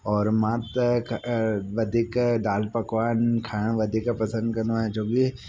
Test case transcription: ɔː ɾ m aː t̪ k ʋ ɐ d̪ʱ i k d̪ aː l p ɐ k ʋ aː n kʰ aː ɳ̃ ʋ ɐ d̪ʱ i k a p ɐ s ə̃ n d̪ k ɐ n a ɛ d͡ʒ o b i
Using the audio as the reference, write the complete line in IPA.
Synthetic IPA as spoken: ɔː ɾ m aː t̪ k ʋ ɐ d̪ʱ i k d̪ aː l p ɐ k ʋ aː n kʰ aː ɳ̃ ʋ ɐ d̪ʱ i k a p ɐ s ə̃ n d̪ k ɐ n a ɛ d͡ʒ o ɡ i

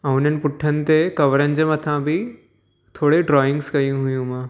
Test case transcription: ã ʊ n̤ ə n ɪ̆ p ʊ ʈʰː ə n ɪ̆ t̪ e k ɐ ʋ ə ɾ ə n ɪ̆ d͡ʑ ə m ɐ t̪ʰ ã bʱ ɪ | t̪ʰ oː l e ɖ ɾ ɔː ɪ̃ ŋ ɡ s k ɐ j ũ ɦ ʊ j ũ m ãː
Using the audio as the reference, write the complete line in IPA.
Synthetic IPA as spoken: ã ʊ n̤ ə n ɪ̆ p ʊ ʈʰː ə n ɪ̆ t̪ e k ɐ ʋ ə ɾ ə n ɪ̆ d͡ʑ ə m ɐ t̪ʰ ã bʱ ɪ | t̪ʰ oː ɽ e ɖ ɾ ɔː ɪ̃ ŋ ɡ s k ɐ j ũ ɦ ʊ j ũ m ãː

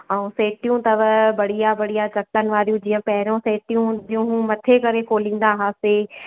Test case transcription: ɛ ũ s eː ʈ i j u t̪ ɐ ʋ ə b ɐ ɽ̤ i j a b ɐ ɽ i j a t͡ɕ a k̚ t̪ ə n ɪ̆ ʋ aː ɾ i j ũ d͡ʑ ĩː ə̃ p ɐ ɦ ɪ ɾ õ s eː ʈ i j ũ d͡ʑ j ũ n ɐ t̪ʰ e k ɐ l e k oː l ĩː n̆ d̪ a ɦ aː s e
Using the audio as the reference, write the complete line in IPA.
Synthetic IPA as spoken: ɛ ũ s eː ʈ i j ũ t̪ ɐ ʋ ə b ɐ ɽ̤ i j a b ɐ ɽ i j a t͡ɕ ɐ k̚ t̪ ə n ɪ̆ ʋ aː ɾ i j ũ d͡ʑ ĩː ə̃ p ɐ ɦ ɪ ɾ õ s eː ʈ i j ũ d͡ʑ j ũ m ɐ t̪ʰ e k ɐ ɾ e k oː l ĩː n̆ d̪ a ɦ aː s e

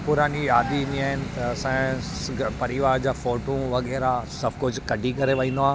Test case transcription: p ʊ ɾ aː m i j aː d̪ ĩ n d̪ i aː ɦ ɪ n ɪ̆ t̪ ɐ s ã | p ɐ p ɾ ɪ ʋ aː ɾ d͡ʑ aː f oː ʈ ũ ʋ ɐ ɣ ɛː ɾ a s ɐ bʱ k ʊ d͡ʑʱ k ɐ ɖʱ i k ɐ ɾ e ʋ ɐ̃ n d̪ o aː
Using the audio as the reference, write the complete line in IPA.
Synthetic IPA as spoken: p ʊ ɾ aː n i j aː d̪ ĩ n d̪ i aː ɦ ɪ n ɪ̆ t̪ ɐ s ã | p ɐ ɾ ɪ ʋ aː ɾ d͡ʑ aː f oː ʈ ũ ʋ ɐ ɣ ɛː ɾ a s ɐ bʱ k ʊ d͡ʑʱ k ɐ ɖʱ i k ɐ ɾ e ʋ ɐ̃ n d̪ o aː

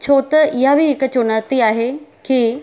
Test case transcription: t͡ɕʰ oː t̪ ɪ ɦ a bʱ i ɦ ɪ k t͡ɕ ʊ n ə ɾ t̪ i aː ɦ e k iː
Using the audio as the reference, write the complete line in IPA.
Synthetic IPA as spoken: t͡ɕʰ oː t̪ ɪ ɦ a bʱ i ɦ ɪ k t͡ɕ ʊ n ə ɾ t̪ i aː ɦ e k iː

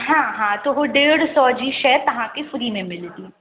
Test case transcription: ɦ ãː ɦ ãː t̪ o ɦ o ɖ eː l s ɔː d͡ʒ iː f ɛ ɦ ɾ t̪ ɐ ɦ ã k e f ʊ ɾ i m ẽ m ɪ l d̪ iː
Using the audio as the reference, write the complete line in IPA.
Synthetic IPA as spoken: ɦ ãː ɦ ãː t̪ o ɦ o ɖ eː ɽ s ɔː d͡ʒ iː ʃ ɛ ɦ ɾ t̪ ɐ ɦ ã k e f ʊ ɾ i m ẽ m ɪ l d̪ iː

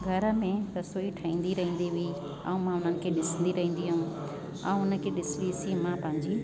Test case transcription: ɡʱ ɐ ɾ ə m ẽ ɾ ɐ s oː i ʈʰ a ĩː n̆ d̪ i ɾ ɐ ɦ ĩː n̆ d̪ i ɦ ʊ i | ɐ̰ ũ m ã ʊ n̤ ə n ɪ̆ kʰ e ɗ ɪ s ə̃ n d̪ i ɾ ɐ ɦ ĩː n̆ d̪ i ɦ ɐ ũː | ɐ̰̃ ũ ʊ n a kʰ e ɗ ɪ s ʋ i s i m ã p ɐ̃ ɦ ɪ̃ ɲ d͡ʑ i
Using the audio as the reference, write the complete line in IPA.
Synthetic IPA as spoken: ɡʱ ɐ ɾ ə m ẽ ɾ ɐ s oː i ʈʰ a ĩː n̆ d̪ i ɾ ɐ ɦ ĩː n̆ d̪ i ɦ ʊ i | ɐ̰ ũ m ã ʊ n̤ ə n ɪ̆ kʰ e ɗ ɪ s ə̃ n d̪ i ɾ ɐ ɦ ĩː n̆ d̪ i ɦ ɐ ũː | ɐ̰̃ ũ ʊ n ə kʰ e ɗ ɪ s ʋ i s i m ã p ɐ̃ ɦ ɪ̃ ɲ d͡ʑ i

